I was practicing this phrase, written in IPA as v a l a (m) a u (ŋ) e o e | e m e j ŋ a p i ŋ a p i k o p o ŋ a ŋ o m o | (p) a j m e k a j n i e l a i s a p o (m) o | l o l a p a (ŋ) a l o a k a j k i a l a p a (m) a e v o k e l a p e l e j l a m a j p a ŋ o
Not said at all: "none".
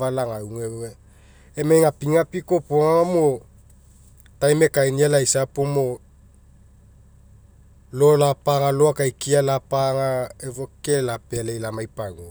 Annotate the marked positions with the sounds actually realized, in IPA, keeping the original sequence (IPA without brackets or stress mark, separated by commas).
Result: ŋ, ŋ, t, m, ŋ, ŋ